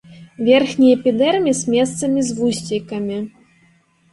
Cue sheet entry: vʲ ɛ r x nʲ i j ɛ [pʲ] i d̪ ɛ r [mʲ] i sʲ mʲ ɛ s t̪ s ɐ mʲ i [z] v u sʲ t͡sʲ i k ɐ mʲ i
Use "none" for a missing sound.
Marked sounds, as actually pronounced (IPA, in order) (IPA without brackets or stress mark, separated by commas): pʲ, mʲ, z